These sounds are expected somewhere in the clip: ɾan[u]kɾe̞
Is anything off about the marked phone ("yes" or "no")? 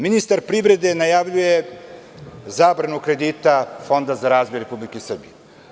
no